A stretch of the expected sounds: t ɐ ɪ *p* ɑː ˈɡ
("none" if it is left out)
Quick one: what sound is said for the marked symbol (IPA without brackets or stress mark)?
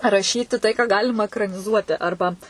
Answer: k